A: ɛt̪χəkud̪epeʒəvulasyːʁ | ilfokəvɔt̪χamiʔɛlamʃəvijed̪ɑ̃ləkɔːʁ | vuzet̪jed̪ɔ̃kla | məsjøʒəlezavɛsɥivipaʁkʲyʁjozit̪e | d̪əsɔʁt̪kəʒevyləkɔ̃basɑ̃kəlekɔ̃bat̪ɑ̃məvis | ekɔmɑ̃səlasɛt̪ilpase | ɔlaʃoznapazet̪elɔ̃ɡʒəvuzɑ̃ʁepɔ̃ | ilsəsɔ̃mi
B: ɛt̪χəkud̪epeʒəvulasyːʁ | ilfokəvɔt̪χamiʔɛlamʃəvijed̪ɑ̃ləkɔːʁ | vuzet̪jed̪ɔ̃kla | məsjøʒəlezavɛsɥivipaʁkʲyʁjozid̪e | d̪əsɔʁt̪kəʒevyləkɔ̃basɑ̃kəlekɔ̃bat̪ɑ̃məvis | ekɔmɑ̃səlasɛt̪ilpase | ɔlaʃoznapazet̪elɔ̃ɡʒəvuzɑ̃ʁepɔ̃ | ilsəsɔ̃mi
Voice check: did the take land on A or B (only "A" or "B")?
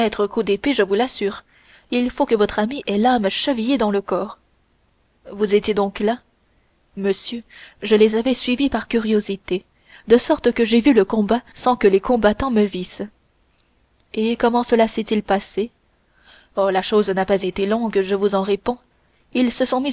A